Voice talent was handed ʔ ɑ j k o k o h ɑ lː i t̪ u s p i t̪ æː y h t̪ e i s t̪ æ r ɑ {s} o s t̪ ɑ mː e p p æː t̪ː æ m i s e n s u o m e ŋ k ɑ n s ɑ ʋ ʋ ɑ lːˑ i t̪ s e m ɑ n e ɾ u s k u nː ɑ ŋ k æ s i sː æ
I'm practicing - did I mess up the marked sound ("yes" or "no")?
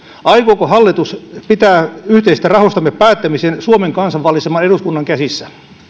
yes